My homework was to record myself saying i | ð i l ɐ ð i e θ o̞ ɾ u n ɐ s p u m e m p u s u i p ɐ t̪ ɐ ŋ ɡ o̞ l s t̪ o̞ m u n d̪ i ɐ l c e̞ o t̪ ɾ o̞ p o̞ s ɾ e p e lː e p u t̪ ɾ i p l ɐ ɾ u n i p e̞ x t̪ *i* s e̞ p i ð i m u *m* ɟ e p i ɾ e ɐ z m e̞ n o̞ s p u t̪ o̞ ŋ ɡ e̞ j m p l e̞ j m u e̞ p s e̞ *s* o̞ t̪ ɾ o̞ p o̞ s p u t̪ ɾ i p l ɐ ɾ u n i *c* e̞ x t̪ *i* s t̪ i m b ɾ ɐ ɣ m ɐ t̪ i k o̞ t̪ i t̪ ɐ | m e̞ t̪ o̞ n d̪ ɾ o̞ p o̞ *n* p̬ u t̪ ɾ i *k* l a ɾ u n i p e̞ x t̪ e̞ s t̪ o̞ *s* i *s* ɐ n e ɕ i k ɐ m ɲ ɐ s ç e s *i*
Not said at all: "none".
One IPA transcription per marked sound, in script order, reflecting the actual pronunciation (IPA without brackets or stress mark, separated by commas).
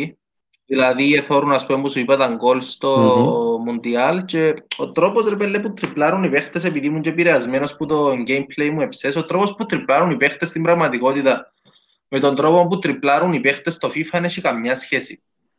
e, ɲ, s, p, e, m, p, f, f, i